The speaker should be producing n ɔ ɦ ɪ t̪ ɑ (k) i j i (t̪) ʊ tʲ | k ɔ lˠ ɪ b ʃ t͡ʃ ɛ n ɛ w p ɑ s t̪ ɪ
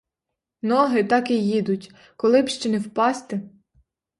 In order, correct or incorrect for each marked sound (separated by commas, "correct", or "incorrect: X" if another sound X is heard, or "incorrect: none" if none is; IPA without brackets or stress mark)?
correct, incorrect: d̪